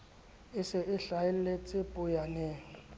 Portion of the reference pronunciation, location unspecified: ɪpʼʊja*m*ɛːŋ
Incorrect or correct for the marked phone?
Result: incorrect: n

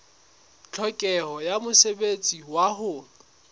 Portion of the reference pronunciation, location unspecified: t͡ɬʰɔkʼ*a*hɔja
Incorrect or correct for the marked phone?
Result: incorrect: ɛ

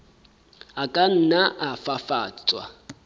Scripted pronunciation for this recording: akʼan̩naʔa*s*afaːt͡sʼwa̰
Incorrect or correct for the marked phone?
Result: incorrect: f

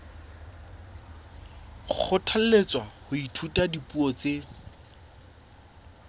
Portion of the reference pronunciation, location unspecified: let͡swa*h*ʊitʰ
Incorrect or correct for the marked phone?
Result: correct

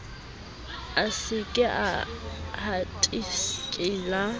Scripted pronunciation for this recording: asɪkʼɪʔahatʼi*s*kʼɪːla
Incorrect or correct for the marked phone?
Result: correct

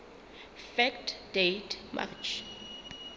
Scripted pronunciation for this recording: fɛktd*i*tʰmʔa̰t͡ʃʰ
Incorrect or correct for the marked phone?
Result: incorrect: e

